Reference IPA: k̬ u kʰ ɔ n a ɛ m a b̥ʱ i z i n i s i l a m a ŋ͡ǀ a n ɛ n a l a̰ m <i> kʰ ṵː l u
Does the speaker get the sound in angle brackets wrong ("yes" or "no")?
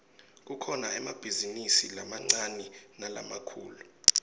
yes